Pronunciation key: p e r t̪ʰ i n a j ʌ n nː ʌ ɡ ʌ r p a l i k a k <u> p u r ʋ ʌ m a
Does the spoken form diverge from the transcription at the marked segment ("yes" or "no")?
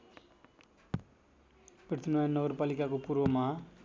yes